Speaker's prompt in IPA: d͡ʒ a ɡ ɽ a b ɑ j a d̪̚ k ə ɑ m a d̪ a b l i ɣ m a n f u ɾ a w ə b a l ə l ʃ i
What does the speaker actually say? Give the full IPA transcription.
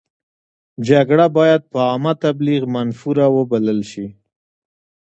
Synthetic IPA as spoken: d͡ʒ a ɡ ɽ a b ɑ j a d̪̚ p ə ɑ m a t̪ a b l i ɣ m a n f u ɾ a w ə b a l ə l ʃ i